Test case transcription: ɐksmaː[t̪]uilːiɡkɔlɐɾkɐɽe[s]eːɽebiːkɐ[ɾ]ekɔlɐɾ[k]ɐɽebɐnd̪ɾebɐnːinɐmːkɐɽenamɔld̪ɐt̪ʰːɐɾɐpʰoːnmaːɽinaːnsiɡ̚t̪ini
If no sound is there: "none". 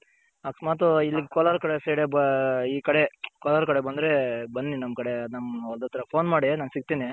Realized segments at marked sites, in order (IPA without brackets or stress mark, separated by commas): t̪, s, ɽ, k